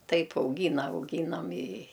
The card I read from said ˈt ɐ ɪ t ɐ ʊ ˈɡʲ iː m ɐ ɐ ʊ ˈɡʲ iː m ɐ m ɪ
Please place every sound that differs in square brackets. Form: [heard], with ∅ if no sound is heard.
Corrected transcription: ˈt ɐ ɪ [p] ɐ ʊ ˈɡʲ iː [n] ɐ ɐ ʊ ˈɡʲ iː [n] ɐ m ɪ